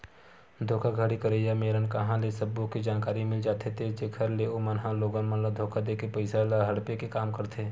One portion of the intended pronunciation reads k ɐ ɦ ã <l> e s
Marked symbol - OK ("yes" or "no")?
yes